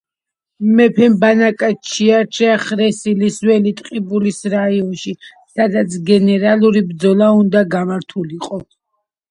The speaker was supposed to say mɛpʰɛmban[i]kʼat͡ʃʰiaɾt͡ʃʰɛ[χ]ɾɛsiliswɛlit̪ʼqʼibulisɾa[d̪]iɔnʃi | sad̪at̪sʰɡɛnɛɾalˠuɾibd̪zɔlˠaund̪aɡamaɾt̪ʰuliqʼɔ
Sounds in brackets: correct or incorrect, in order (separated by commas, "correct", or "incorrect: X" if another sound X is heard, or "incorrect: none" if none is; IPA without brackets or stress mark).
incorrect: a, correct, incorrect: none